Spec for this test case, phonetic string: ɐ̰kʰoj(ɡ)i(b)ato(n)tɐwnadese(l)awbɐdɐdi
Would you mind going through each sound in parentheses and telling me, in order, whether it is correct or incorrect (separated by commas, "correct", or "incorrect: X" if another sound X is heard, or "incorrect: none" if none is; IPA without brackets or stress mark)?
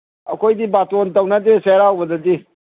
incorrect: d, correct, correct, incorrect: ɾ